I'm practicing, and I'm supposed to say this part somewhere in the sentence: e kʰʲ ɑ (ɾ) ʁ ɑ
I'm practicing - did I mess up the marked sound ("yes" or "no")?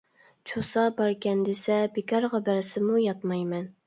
no